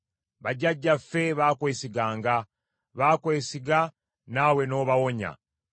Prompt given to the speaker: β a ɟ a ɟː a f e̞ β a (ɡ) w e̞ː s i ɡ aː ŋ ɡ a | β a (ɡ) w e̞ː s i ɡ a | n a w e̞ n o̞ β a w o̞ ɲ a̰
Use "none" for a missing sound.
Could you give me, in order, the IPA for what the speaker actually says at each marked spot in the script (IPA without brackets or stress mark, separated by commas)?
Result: k, k